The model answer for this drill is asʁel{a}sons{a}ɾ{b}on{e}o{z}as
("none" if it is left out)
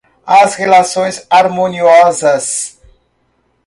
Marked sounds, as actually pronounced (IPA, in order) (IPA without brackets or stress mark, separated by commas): a, a, m, i, z